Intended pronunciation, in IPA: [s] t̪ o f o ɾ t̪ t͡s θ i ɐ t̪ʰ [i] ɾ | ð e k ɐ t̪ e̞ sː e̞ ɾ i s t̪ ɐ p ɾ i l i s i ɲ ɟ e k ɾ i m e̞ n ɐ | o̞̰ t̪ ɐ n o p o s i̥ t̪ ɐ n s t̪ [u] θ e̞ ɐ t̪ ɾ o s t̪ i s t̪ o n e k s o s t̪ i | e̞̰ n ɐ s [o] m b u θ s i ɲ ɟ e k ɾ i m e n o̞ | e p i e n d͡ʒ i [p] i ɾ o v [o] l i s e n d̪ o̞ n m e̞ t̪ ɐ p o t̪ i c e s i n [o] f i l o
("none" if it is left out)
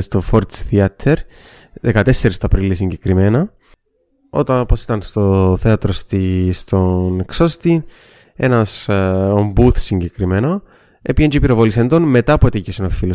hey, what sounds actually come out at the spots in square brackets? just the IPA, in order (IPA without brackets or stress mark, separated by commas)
s, e, o, o, p, o, o